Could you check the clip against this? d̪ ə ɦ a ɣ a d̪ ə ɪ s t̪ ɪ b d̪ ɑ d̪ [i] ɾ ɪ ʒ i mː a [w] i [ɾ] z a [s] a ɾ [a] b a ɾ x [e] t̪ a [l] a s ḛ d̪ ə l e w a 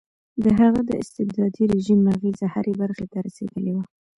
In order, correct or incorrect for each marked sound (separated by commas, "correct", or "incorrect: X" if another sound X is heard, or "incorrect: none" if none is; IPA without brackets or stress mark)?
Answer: correct, incorrect: ɣ, incorrect: none, incorrect: h, incorrect: e, correct, incorrect: ɾ